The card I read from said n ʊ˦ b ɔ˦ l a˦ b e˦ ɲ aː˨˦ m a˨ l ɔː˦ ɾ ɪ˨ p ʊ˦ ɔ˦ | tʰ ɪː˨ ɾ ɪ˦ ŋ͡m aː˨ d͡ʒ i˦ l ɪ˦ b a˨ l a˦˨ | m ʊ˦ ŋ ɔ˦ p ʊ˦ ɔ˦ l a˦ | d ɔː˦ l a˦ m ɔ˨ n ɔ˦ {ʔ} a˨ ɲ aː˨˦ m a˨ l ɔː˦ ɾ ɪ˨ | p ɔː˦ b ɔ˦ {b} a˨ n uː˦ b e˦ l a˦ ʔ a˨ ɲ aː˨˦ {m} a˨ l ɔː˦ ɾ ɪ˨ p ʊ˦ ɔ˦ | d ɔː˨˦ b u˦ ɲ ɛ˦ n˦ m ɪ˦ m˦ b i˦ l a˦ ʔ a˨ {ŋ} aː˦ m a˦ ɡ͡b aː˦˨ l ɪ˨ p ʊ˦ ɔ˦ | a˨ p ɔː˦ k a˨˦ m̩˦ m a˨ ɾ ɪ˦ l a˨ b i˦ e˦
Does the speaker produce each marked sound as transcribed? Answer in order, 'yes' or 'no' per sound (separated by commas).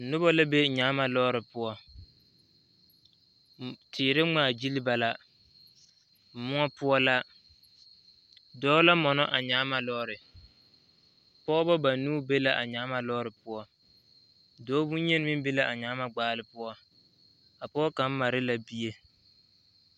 yes, yes, yes, no